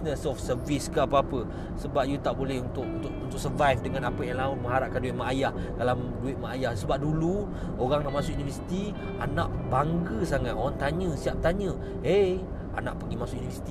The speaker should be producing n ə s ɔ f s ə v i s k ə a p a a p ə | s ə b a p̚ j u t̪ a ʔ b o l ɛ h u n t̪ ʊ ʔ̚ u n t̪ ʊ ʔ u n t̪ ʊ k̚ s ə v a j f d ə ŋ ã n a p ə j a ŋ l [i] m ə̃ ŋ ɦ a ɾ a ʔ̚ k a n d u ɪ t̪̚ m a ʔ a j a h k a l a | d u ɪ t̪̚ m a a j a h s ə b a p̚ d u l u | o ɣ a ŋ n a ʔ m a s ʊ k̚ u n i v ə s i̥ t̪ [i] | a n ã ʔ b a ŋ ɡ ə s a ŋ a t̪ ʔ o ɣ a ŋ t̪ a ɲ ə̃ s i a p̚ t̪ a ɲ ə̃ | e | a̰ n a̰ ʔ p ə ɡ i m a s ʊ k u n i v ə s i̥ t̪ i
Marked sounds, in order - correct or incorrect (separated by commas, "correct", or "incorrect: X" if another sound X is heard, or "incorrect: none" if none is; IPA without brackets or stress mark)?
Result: incorrect: a, correct